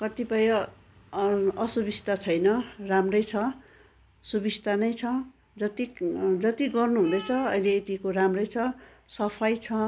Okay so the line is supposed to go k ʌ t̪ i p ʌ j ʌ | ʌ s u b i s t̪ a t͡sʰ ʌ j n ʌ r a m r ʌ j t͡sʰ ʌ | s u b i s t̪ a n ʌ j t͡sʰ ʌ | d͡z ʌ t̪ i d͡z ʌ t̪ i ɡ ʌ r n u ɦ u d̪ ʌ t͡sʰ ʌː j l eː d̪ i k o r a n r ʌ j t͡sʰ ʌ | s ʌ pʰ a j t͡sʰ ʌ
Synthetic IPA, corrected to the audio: k ʌ t̪ i p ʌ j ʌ | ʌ s u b i s t̪ a t͡sʰ ʌ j n ʌ r a m r ʌ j t͡sʰ ʌ | s u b i s t̪ a n ʌ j t͡sʰ ʌ | d͡z ʌ t̪ i d͡z ʌ t̪ i ɡ ʌ r n u ɦ u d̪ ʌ t͡sʰ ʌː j l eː t̪ i k o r a m r ʌ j t͡sʰ ʌ | s ʌ pʰ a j t͡sʰ ʌ